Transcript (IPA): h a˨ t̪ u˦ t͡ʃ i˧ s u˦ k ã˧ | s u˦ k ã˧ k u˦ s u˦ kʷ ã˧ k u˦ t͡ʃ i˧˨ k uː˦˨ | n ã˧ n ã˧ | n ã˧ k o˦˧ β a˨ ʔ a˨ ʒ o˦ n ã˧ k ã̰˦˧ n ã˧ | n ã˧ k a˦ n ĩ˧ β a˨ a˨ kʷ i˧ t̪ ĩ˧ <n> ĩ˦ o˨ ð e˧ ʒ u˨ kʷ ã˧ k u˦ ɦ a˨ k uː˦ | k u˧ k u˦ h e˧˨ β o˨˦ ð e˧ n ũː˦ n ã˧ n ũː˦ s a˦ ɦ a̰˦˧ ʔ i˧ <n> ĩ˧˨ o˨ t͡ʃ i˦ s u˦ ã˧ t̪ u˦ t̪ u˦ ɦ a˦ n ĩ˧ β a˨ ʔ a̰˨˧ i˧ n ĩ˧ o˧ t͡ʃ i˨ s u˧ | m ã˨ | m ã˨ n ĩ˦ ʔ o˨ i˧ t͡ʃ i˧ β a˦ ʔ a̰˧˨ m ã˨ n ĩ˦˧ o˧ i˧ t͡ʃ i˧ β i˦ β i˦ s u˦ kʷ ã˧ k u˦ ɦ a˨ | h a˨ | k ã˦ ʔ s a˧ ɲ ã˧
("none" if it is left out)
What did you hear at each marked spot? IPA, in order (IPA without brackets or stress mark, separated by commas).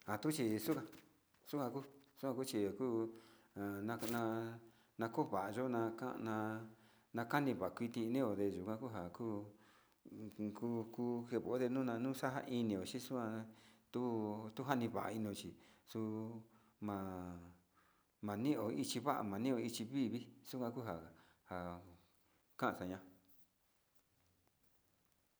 n, n